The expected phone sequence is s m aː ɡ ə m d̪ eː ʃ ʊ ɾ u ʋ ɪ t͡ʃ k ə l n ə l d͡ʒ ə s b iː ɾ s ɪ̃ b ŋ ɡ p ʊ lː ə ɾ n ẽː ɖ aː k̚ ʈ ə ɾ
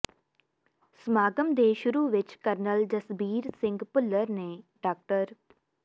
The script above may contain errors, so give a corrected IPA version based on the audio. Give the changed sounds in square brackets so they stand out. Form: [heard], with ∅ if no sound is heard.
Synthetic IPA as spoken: s m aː ɡ ə m d̪ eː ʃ ʊ ɾ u ʋ ɪ t͡ʃ k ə [ɾ] n ə l d͡ʒ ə s b iː ɾ s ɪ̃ [∅] ŋ ɡ p ʊ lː ə ɾ n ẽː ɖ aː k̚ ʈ ə ɾ